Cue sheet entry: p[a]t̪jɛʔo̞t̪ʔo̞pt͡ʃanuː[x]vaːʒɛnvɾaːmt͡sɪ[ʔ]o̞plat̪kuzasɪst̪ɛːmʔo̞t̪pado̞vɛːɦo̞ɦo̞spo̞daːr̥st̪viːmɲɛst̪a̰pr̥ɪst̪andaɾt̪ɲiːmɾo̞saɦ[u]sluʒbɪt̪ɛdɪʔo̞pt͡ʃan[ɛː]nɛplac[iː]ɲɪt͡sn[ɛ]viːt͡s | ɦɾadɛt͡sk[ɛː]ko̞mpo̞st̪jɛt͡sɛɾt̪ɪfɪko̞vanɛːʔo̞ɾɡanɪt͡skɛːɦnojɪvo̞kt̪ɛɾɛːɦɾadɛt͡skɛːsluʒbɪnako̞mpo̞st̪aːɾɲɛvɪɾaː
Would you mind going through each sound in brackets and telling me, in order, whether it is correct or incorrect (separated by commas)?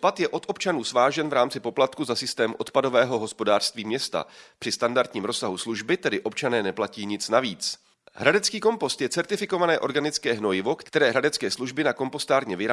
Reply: correct, incorrect, incorrect, correct, correct, correct, incorrect, incorrect